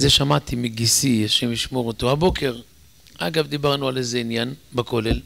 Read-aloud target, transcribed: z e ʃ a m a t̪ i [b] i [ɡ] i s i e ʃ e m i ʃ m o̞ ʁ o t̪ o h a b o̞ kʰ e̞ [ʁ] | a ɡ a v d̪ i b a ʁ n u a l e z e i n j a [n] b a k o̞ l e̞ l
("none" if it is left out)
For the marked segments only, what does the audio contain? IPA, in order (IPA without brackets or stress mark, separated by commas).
m, ɡ, ʁ, n